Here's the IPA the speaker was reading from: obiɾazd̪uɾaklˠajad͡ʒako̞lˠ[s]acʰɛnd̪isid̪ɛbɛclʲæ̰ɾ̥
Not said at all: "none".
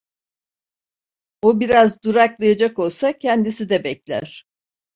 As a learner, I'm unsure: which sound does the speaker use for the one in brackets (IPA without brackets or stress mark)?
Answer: s